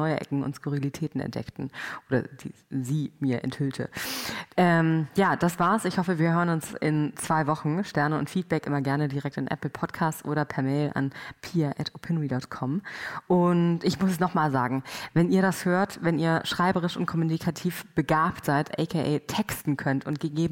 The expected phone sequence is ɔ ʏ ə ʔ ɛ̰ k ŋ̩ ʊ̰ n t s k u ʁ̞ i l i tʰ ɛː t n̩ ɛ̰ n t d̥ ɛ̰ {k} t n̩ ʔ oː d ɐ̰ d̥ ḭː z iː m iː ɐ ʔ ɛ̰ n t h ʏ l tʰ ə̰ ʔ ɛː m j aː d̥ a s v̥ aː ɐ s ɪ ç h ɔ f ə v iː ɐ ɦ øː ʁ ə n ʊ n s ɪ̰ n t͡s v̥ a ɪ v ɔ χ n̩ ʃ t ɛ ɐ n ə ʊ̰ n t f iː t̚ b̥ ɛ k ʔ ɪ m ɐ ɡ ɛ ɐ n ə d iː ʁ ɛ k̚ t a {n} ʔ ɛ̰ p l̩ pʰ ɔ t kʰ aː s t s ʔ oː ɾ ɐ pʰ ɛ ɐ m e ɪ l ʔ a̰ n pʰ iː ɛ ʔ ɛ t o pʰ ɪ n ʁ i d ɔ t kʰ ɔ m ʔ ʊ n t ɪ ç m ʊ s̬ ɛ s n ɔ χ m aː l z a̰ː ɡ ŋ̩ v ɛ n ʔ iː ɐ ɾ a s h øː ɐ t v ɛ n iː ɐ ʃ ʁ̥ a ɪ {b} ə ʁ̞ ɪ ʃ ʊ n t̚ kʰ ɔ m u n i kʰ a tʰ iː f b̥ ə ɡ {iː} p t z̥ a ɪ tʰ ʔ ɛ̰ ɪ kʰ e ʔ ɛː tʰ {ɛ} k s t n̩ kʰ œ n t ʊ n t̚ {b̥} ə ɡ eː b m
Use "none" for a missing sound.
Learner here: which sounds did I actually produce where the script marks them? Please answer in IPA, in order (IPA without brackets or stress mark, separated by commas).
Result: k, n, b, aː, ɛ, ɡ̥